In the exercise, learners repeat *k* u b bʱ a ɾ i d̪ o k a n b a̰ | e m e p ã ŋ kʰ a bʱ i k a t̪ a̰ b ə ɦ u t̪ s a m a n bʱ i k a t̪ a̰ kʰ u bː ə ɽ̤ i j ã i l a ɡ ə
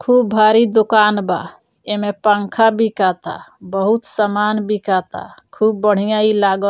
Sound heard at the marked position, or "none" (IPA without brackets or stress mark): kʰ